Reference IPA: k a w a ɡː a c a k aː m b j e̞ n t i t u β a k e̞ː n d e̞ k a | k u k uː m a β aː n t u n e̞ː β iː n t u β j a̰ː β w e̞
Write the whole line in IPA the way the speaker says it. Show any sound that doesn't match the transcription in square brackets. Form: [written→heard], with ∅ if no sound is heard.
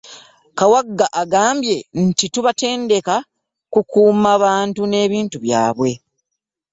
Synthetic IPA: k a w a ɡː a [c→ʔ] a [k→ɡ] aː m b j e̞ n t i t u β a [k→t] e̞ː n d e̞ k a | k u k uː m a β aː n t u n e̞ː β iː n t u β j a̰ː β w e̞